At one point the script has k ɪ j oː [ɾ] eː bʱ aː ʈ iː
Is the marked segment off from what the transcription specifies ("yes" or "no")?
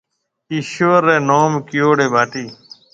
yes